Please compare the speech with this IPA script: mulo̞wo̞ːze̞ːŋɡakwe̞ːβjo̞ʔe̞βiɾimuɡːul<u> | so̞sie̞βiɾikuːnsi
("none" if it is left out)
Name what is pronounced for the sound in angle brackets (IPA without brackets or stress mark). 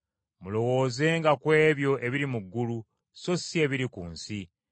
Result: u